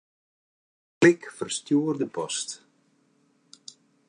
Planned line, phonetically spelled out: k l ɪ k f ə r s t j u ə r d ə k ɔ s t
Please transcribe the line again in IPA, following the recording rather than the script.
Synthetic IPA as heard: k l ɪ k f ə r s t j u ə r d ə p ɔ s t